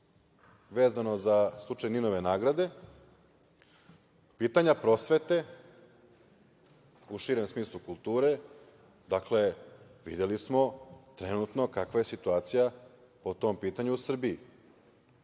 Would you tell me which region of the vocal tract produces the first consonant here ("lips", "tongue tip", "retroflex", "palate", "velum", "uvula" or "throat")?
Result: lips